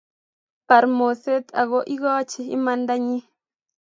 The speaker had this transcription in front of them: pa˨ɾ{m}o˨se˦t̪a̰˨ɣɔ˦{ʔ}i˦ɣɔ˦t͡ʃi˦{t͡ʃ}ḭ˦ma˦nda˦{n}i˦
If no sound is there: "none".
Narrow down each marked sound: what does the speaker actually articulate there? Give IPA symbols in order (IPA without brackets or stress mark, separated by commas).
m, ʔ, none, ɲ